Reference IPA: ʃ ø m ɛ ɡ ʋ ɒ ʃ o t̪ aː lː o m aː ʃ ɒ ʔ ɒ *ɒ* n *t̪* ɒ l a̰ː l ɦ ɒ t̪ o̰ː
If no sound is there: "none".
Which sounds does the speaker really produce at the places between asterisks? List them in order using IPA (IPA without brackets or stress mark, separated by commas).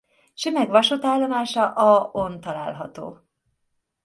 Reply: o, t̪